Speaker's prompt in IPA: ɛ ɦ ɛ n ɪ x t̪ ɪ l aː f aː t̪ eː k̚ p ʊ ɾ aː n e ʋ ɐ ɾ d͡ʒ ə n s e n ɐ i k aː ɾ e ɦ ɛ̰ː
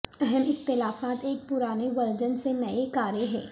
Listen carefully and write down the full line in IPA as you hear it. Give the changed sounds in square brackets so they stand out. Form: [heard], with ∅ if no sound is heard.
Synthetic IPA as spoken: ɛ ɦ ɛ [m] ɪ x t̪ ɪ l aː f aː t̪ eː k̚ p ʊ ɾ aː n e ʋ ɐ ɾ d͡ʒ ə n s e n ɐ [e] k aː ɾ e ɦ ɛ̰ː